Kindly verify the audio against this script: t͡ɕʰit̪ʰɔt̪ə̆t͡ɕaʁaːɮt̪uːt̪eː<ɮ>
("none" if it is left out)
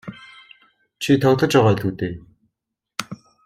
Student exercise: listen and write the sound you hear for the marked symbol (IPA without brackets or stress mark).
none